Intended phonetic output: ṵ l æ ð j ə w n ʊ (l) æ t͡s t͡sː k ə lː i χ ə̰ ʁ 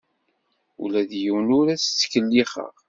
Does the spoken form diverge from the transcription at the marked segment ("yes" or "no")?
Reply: yes